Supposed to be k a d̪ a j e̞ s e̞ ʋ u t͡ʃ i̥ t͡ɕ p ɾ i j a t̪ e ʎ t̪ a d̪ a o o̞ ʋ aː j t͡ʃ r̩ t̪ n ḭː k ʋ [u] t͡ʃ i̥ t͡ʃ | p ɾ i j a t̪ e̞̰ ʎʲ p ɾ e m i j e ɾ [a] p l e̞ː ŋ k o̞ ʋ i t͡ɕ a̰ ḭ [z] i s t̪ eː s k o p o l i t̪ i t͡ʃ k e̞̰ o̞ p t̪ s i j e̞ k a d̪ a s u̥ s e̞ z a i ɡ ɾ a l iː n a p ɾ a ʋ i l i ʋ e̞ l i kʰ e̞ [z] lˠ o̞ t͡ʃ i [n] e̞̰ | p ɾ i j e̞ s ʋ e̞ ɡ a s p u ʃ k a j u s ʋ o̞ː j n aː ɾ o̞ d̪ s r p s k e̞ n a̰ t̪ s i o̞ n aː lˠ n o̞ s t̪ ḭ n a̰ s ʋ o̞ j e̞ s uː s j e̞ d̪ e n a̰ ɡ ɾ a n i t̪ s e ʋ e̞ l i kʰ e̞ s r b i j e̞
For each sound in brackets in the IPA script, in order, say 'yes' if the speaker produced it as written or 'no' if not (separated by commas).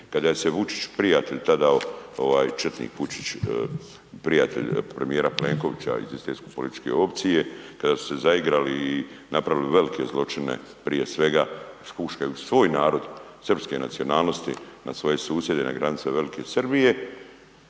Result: yes, yes, yes, yes, yes